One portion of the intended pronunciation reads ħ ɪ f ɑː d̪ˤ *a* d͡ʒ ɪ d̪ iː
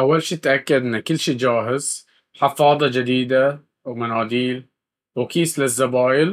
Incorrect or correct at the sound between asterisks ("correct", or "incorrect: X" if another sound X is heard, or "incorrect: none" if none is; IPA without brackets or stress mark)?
incorrect: ɑ